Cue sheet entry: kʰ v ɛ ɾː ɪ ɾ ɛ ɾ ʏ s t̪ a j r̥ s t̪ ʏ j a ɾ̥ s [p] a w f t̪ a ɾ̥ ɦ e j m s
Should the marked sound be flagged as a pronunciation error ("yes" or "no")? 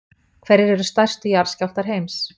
yes